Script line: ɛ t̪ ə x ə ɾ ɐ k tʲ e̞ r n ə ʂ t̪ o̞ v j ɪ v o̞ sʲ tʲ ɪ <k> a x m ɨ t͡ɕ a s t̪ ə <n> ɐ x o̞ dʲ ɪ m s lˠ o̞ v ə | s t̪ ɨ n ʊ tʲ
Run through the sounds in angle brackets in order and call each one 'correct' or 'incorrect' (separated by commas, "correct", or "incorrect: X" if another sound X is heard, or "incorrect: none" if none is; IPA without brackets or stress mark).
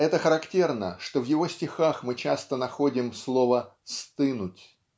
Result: incorrect: x, correct